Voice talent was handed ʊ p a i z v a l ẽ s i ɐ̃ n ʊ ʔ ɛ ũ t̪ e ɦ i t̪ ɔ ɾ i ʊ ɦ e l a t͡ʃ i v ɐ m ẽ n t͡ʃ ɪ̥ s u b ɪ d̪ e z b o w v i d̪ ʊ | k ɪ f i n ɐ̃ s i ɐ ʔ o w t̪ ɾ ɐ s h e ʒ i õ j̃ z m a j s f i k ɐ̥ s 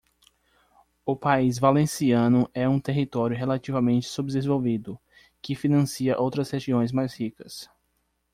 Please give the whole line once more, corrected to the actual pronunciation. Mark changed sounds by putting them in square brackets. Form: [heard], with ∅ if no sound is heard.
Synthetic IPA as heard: ʊ p a i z v a l ẽ s i ɐ̃ n ʊ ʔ ɛ ũ t̪ e ɦ i t̪ ɔ ɾ [j] ʊ ɦ e l a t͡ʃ i v ɐ m ẽ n t͡ʃ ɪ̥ s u b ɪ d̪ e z [v] o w v i d̪ ʊ | k ɪ f i n ɐ̃ s i ɐ ʔ o w t̪ ɾ ɐ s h e ʒ i õ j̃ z m a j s [h] i k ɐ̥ s